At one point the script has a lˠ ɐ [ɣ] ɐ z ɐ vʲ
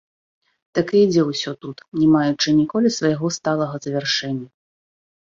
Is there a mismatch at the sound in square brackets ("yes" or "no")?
no